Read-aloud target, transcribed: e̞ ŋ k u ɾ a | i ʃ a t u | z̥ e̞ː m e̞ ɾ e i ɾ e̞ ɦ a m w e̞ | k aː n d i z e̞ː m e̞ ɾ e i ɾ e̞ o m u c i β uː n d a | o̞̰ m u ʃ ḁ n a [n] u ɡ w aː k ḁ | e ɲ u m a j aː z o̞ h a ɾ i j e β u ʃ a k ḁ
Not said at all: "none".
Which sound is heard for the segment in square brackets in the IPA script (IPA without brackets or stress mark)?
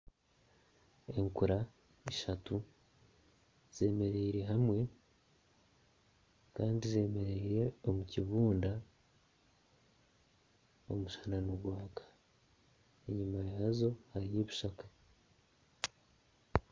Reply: n